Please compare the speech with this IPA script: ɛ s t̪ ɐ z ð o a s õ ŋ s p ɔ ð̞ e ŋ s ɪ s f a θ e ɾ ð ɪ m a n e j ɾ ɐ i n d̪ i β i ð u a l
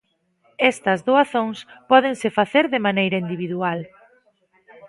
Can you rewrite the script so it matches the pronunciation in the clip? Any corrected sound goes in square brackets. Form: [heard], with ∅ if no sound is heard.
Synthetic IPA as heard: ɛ s t̪ ɐ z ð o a [θ] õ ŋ s p ɔ ð̞ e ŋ s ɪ [∅] f a θ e ɾ ð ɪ m a n e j ɾ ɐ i n d̪ i β i ð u a l